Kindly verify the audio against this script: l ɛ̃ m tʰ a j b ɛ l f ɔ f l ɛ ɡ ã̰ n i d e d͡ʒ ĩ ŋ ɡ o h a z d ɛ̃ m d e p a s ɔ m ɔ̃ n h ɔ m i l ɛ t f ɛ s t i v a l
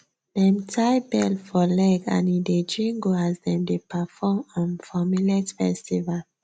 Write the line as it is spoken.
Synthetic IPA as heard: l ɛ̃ m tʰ a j b ɛ l f ɔ l ɛ ɡ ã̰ n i d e d͡ʒ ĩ ŋ ɡ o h a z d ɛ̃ m d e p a f ɔ m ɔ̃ n f ɔ m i l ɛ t f ɛ s t i v a l